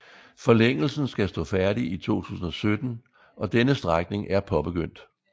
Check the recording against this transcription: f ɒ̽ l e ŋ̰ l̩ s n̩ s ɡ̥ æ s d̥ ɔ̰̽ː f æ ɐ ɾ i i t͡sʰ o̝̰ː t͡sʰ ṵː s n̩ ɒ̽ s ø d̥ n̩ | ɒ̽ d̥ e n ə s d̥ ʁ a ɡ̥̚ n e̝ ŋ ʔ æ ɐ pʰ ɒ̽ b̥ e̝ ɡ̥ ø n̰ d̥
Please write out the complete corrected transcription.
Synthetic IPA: f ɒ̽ l e ŋ̰ l̩ s n̩ s ɡ̥ æ s d̥ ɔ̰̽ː f æ ɐ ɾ i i t͡sʰ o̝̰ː t͡sʰ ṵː s n̩ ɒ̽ s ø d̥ n̩ | ɒ̽ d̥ e n ə s d̥ ʁ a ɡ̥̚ n e̝ ŋ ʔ æ ɐ pʰ ɒ̽ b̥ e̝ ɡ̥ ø n̰ d̥